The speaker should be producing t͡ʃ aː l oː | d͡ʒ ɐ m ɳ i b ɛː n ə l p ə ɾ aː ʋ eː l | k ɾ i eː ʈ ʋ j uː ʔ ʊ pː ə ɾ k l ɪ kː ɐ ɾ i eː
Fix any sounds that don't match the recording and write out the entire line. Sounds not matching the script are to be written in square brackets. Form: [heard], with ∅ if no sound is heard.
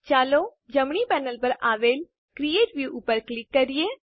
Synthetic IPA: t͡ʃ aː l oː | d͡ʒ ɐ m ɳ i [p] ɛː n ə l p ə ɾ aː ʋ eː l | k ɾ i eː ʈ ʋ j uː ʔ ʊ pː ə ɾ k l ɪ kː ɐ ɾ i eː